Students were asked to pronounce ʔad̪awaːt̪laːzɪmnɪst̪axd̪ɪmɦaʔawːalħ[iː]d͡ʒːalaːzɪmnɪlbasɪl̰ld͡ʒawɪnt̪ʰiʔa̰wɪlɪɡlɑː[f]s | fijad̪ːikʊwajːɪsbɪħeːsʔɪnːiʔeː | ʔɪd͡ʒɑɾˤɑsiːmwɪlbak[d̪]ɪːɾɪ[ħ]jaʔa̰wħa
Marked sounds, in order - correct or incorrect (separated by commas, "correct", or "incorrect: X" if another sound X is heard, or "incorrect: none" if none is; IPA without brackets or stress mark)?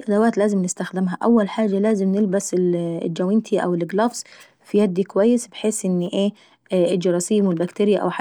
incorrect: aː, correct, incorrect: t̪, incorrect: none